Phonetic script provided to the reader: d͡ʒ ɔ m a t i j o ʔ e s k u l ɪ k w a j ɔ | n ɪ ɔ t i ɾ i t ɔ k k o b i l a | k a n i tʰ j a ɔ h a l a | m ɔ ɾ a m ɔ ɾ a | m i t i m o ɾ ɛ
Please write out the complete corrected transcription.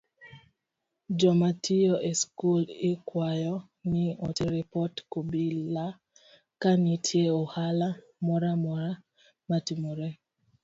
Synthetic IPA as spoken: d͡ʒ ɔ m a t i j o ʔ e s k u l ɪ k w a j ɔ | n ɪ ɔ t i ɾ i p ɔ t k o b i l a | k a n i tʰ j e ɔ h a l a | m ɔ ɾ a m ɔ ɾ a | m a t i m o ɾ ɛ